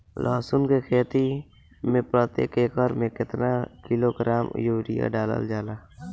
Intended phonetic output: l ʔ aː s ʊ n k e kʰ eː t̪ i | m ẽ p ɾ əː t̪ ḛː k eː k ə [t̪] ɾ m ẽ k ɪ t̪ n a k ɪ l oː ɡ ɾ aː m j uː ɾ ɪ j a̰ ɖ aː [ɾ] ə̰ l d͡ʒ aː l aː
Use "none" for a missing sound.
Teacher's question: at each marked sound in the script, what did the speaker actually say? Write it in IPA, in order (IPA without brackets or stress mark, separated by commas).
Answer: none, l